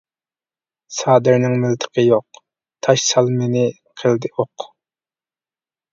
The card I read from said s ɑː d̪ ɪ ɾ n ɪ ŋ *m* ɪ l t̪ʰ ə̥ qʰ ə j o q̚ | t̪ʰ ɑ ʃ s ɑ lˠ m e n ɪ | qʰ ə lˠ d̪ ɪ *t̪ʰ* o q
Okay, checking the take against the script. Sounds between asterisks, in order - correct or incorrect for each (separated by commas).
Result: correct, incorrect